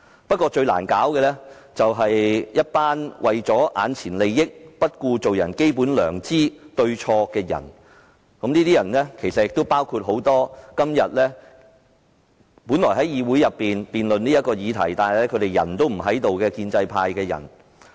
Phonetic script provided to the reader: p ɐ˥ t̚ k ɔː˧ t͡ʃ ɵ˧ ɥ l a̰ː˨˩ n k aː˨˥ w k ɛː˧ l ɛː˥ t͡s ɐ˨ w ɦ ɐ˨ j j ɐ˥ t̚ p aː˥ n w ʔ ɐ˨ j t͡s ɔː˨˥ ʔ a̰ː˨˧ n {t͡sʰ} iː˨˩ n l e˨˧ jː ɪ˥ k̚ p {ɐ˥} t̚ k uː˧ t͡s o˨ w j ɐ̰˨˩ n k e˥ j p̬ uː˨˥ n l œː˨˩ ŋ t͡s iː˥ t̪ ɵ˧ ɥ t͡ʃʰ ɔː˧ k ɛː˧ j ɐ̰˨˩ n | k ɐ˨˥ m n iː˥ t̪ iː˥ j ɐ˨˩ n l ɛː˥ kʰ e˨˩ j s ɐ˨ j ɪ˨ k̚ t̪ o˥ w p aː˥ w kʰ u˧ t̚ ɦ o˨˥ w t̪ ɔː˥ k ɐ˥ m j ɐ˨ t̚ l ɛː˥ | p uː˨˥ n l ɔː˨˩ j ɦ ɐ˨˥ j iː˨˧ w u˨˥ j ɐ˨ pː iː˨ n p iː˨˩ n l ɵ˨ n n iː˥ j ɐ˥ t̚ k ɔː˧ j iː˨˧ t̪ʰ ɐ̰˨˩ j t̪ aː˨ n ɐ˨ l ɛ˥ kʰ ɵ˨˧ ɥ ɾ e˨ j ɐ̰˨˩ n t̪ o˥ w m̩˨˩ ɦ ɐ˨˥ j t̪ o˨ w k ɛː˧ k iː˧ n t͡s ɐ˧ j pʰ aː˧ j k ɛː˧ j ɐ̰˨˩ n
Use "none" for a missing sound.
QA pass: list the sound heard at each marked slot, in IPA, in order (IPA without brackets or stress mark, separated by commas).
t͡sʰ, ɐ˥